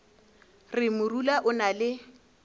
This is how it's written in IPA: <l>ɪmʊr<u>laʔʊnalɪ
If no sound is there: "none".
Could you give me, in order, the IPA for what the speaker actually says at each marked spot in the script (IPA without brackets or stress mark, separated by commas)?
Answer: r, u